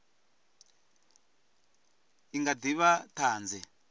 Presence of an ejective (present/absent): absent